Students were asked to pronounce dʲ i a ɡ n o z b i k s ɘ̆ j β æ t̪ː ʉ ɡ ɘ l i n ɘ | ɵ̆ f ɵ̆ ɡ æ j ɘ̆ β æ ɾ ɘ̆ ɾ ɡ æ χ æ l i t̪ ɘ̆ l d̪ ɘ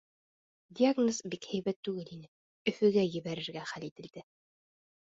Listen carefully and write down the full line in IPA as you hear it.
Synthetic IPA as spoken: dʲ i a ɡ n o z b i k h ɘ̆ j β æ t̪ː ʉ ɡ ɘ l i n ɘ | ɵ̆ f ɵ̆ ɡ æ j ɘ̆ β æ ɾ ɘ̆ ɾ ɡ æ χ æ l i t̪ ɘ̆ l d̪ ɘ